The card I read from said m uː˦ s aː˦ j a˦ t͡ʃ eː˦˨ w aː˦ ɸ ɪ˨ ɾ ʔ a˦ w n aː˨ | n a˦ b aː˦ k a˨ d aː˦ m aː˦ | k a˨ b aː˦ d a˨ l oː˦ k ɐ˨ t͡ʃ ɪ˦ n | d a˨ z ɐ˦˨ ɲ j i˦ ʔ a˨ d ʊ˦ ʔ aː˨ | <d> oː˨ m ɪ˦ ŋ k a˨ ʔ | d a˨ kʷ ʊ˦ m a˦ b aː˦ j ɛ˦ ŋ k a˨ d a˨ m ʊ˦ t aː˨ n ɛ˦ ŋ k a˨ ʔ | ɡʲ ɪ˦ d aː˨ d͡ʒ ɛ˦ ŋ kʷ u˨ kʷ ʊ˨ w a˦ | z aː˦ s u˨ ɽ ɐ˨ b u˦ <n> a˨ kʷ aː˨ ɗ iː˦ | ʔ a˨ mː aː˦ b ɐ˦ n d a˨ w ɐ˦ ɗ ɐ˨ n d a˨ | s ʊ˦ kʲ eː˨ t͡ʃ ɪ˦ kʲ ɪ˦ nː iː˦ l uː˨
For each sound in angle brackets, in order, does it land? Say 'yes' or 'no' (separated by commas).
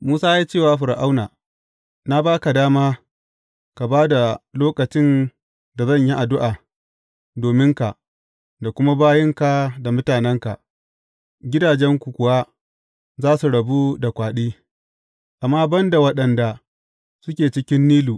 yes, no